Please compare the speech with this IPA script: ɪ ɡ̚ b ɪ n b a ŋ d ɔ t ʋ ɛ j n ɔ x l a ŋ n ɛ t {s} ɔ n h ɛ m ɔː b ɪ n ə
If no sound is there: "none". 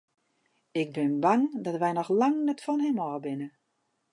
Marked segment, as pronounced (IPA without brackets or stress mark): f